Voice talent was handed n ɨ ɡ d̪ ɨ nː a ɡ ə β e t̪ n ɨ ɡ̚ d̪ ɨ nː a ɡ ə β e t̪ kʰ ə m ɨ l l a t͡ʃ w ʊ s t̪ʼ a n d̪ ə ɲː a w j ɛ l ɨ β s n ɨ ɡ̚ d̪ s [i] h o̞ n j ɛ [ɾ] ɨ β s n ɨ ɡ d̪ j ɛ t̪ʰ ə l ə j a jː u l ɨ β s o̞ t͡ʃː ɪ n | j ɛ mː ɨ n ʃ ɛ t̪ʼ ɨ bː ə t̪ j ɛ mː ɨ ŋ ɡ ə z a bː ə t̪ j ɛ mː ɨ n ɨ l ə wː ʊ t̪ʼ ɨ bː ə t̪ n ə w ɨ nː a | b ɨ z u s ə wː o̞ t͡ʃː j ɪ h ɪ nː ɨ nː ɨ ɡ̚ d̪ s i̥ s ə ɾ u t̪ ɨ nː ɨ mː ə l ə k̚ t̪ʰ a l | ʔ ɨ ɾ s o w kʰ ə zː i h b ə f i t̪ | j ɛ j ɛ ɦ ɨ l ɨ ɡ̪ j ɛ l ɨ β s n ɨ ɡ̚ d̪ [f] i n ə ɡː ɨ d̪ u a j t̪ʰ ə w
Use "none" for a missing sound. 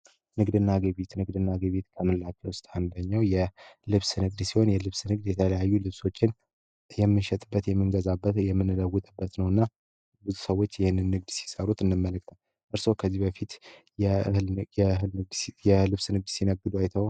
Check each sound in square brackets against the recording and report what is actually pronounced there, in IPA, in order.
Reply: i, l, s

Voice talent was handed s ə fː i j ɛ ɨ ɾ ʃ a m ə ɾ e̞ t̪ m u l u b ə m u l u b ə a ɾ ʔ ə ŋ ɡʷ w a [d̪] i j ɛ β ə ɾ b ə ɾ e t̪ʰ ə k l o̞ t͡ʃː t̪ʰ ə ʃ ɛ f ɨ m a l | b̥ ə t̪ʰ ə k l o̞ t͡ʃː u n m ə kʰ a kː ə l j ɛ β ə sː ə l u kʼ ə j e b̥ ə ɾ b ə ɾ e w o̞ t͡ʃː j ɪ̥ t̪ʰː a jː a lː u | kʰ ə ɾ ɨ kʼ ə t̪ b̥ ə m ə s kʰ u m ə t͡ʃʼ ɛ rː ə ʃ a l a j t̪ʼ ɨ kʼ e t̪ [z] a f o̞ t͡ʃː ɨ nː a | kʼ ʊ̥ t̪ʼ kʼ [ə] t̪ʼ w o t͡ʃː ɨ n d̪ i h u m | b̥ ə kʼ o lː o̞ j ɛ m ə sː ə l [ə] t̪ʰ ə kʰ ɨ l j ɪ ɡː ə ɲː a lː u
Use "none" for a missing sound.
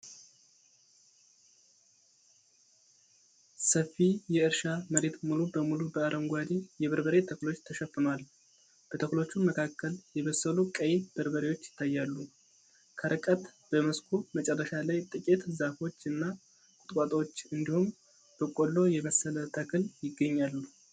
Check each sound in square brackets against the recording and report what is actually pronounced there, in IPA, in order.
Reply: d̪, z, a, ə

